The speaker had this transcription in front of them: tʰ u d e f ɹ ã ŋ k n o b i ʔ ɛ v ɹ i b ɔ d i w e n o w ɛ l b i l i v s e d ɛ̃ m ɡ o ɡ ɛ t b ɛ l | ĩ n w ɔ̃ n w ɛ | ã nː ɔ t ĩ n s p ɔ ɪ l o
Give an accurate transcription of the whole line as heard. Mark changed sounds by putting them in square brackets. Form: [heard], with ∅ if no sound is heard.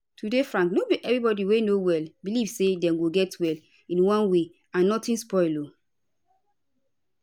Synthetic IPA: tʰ u d e f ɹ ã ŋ k n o b i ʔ ɛ v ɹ i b ɔ d i w e n o w ɛ l b i l i v s e d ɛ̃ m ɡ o ɡ ɛ t [w] ɛ l | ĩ n w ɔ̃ n w [e] | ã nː ɔ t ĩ n s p ɔ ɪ l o